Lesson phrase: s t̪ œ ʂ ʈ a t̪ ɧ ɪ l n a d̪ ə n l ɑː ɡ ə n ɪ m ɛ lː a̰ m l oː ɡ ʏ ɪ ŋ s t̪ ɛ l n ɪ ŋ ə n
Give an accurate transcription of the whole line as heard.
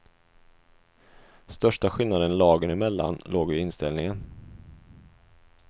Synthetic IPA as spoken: s t̪ œ ʂ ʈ a ɧ ɪ l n a d̪ ə n l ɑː ɡ ə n ɪ m ɛ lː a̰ n l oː ɡ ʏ ɪ n s t̪ ɛ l n ɪ ŋ ə n